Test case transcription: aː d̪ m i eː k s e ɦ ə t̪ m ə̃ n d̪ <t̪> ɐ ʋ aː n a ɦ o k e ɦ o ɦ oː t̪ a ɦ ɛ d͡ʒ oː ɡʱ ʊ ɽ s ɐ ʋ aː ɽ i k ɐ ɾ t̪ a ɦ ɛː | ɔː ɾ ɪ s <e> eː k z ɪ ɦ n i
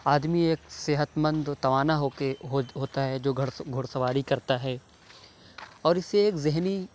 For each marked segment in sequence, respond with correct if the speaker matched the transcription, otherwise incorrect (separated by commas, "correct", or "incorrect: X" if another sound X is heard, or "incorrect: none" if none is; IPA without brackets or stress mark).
correct, correct